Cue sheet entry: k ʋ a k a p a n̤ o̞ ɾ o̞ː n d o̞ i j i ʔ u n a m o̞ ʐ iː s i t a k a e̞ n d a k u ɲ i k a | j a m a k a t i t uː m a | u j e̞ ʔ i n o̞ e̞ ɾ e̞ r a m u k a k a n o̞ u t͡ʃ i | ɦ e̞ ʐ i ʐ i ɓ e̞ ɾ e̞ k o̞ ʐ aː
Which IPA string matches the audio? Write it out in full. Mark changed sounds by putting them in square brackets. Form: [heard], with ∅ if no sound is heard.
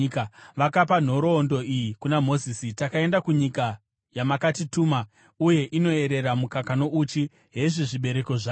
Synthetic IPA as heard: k ʋ a k a p a n̤ o̞ ɾ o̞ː n d o̞ i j i [k] u n a m o̞ [z] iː s i t a k a e̞ n d a k u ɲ i k a | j a m a k a t i t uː m a | u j e̞ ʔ i n o̞ e̞ ɾ e̞ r a m u k a k a n o̞ u t͡ʃ i | ɦ e̞ ʐ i ʐ i ɓ e̞ ɾ e̞ k o̞ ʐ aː